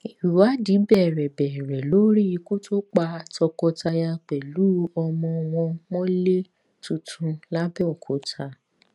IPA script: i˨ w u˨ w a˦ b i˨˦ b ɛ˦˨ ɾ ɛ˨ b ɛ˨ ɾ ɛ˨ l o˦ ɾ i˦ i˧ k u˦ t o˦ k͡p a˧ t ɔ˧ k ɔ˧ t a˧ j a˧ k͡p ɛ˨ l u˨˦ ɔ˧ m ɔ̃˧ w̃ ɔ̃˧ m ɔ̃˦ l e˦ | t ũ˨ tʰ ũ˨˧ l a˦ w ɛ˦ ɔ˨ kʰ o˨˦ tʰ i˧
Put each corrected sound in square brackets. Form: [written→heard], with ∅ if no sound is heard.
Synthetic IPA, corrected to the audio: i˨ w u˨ w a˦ [b→d] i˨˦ b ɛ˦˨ ɾ ɛ˨ b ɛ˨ ɾ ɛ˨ l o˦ ɾ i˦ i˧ k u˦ t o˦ k͡p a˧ t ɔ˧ k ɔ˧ t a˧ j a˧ k͡p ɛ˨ l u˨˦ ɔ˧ m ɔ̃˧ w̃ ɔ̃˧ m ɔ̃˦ l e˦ | t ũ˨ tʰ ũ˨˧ l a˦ [w→b] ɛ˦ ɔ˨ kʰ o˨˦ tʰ [i˧→a˧]